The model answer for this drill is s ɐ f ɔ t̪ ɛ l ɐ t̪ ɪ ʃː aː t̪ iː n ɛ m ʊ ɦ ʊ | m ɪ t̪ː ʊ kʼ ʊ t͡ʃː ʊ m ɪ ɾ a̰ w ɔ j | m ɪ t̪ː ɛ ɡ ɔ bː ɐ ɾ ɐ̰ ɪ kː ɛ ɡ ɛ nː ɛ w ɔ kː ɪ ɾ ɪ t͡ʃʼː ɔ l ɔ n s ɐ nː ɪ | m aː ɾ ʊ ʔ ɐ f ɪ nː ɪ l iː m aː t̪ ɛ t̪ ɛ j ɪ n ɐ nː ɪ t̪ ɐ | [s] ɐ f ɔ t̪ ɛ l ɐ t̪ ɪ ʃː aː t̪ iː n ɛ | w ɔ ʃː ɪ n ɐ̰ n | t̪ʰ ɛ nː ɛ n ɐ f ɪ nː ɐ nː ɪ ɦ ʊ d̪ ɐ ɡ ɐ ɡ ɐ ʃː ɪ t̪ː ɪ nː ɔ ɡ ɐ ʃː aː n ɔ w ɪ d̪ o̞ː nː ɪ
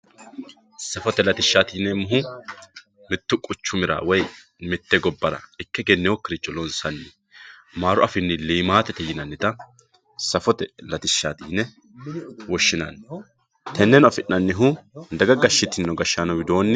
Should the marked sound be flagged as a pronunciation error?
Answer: no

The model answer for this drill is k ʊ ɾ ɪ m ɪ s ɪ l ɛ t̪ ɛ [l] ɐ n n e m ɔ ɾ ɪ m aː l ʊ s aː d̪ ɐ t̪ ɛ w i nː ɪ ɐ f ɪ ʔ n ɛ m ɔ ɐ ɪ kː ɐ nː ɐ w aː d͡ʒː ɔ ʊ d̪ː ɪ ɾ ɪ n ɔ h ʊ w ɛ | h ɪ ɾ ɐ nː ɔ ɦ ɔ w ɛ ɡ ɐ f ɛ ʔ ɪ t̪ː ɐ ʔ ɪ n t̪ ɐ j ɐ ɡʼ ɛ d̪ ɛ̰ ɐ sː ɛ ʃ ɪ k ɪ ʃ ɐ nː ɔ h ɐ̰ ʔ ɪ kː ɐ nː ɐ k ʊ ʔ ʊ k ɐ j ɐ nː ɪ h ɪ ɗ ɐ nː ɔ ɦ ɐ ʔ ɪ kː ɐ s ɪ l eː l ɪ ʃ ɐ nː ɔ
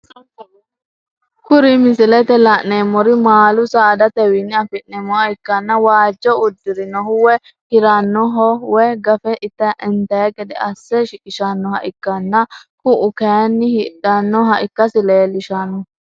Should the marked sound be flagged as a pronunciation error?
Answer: no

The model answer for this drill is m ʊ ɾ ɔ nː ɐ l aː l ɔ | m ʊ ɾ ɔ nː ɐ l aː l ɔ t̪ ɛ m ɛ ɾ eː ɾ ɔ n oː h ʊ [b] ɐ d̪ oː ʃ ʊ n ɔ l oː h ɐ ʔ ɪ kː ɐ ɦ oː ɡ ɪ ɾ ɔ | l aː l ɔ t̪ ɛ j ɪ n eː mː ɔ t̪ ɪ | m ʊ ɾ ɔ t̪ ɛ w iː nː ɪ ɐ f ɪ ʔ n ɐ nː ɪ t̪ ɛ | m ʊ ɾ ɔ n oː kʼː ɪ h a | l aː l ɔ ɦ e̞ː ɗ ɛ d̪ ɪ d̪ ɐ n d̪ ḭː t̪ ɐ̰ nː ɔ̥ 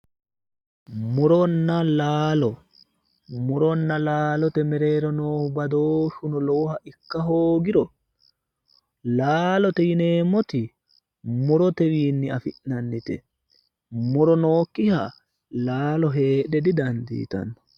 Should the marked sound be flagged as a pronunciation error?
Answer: no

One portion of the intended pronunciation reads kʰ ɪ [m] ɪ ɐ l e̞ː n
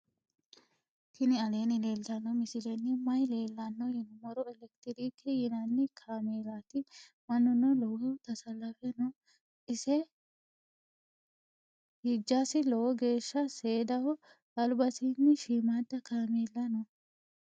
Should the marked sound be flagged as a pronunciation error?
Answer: yes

